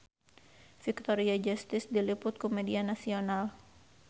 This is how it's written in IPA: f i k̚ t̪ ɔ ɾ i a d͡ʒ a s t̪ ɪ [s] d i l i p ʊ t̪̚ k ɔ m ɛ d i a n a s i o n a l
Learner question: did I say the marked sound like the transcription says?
yes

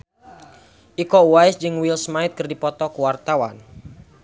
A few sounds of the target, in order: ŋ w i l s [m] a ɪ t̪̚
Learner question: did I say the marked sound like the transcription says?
yes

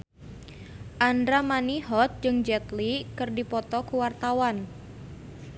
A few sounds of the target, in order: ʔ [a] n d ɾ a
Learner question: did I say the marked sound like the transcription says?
yes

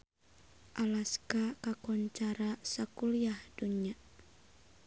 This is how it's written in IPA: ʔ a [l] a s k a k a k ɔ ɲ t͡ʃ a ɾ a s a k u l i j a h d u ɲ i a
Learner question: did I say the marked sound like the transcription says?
yes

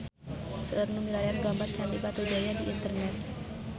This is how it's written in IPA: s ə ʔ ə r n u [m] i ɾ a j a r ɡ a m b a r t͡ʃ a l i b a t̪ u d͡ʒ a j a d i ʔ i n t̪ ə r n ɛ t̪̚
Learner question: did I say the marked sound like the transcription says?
yes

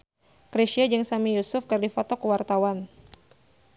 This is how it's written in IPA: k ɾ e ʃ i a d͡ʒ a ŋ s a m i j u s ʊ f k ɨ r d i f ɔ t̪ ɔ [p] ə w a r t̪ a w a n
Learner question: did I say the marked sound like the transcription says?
no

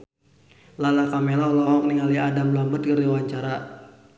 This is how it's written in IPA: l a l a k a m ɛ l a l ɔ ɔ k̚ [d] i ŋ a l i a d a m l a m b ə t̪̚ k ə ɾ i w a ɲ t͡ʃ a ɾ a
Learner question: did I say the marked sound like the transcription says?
no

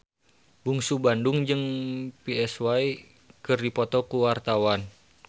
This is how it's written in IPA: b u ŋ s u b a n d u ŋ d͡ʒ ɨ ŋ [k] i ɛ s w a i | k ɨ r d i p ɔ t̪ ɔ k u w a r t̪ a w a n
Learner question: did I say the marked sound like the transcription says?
no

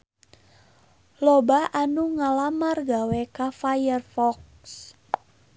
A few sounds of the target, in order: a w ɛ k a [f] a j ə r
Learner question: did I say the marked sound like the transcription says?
yes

